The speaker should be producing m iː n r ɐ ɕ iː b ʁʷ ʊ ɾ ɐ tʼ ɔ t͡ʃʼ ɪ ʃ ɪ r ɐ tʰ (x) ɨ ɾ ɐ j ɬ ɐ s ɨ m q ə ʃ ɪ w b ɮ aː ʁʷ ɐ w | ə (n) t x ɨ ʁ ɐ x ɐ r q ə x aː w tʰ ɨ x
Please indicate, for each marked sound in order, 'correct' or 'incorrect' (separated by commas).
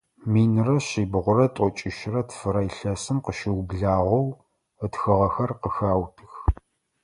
incorrect, incorrect